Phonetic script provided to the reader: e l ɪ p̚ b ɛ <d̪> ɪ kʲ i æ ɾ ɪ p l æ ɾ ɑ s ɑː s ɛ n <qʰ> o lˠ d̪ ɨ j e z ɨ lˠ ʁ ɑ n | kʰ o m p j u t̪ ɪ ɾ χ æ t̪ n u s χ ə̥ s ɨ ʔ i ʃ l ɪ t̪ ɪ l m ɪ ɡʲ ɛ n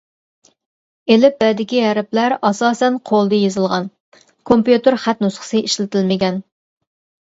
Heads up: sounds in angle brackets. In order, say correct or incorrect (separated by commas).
correct, correct